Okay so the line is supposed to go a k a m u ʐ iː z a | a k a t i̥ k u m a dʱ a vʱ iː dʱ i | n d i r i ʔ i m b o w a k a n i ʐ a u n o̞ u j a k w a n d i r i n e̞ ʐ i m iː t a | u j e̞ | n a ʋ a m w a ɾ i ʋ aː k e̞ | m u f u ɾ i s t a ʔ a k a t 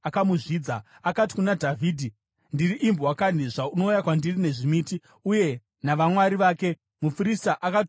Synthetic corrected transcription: a k a m u ʐ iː d͡z a | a k a t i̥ k u n a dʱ a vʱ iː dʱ i | n d i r i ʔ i m b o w a k a n i ʐ a u n o̞ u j a k w a n d i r i n e̞ ʐ i m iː t i | u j e̞ | n a ʋ a m w a ɾ i ʋ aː k e̞ | m u f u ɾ i s t a ʔ a k a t